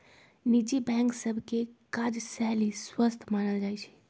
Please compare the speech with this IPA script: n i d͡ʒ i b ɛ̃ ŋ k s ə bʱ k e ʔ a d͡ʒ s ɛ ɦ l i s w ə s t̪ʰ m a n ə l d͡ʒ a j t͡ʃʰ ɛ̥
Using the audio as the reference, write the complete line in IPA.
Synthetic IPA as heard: n i d͡ʒ i b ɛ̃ ŋ k s ə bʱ k e k a d͡ʒ s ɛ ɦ l i s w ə s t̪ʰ m a n ə l d͡ʒ a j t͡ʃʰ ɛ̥